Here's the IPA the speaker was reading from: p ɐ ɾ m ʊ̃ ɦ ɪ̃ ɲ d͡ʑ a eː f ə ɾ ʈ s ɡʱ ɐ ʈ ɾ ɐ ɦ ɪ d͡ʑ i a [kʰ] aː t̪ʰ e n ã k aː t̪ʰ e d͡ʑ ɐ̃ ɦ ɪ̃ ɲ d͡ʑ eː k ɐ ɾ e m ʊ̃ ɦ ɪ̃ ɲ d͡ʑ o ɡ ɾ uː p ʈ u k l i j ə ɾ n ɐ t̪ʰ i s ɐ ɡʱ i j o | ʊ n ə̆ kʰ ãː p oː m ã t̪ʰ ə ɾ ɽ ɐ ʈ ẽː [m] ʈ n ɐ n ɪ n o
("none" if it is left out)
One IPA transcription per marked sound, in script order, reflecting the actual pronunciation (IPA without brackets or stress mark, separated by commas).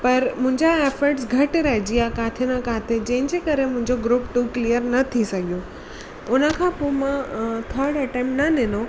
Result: k, m